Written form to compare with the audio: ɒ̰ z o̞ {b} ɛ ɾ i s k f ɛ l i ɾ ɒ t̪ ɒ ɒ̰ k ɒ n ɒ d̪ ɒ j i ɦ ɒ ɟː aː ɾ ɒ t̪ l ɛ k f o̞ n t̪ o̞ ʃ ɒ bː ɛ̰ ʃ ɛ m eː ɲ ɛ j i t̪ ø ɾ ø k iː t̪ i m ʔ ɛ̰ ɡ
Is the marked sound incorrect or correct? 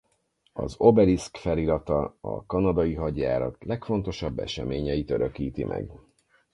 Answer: correct